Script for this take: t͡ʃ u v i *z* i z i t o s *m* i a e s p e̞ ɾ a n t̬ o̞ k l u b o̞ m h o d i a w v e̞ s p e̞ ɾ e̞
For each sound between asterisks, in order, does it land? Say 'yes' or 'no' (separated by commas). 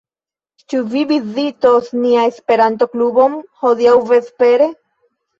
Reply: no, no